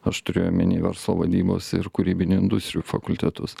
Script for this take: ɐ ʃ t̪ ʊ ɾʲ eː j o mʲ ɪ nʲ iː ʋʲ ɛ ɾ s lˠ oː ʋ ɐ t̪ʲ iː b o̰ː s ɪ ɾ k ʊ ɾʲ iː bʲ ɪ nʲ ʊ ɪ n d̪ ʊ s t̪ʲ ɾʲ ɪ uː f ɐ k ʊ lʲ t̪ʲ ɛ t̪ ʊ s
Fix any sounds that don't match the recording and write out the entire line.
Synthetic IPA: ɐ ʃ t̪ ʊ ɾʲ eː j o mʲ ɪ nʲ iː ʋʲ ɛ ɾ s lˠ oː ʋ ɐ d̪ʲ iː b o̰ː s ɪ ɾ k ʊ ɾʲ iː bʲ ɪ nʲ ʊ ɪ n d̪ ʊ s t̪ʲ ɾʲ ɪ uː f ɐ k ʊ lʲ t̪ʲ ɛ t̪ ʊ s